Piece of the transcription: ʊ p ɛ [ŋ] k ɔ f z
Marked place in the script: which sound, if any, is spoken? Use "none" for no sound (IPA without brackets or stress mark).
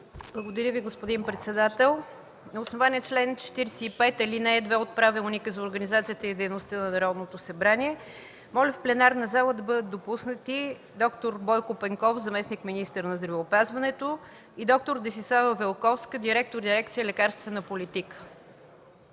ŋ